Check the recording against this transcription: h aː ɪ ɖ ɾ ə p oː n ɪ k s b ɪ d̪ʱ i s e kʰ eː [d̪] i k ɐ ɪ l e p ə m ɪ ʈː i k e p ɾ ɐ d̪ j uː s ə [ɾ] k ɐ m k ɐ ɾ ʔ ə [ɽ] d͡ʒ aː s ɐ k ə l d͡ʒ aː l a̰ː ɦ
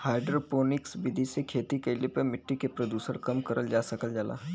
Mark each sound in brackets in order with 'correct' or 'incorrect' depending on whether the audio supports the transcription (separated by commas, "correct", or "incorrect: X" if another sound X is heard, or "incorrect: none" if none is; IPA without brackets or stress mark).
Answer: incorrect: t̪, correct, incorrect: l